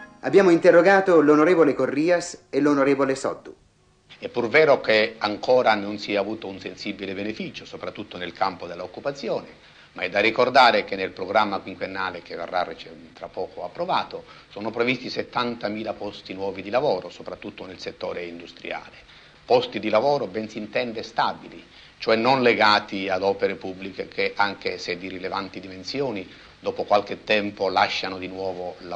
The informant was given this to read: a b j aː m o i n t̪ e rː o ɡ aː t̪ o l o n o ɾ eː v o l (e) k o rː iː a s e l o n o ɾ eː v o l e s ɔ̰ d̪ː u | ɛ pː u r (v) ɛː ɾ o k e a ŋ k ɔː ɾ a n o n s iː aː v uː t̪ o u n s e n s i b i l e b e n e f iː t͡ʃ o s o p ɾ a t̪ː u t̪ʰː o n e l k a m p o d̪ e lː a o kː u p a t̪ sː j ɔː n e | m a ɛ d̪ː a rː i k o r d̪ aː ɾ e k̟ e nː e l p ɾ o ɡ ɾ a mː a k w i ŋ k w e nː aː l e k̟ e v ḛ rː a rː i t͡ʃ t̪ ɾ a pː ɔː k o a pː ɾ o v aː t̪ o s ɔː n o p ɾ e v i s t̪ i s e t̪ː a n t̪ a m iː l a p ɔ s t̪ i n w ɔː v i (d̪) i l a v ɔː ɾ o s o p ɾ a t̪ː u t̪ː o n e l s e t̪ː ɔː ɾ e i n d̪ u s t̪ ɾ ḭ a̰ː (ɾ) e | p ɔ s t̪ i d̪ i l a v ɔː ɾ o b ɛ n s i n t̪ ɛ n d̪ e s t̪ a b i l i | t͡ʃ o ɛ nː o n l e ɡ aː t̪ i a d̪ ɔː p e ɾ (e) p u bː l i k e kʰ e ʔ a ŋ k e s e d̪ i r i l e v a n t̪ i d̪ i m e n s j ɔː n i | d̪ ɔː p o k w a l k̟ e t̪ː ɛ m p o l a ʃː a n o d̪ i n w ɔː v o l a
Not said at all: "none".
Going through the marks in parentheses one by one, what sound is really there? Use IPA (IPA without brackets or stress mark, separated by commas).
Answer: e, v, d̪, l, e